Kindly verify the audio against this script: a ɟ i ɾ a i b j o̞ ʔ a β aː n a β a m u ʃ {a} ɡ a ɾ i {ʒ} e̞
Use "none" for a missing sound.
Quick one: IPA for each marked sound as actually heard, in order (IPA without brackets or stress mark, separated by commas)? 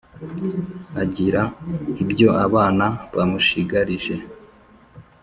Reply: i, ʒ